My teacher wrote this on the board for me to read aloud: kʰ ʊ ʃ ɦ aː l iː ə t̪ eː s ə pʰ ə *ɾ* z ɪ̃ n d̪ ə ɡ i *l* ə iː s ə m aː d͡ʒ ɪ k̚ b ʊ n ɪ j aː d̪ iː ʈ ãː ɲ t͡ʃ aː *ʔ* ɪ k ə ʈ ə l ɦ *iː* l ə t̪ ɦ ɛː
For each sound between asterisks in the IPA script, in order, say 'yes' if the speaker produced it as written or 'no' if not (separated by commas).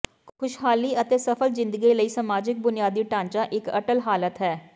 no, yes, yes, no